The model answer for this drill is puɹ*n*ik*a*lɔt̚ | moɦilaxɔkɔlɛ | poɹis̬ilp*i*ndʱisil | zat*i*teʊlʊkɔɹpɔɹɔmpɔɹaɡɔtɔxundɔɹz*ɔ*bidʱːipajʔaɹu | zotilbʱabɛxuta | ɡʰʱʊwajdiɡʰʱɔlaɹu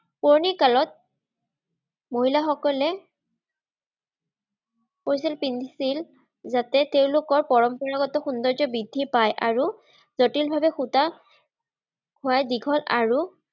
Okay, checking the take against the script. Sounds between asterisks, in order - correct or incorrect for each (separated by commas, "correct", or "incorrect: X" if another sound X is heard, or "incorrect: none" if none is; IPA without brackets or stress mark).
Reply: correct, correct, correct, incorrect: ɛ, correct